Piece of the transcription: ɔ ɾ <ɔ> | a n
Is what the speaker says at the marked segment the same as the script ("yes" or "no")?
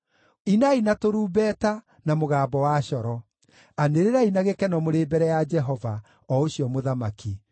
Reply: yes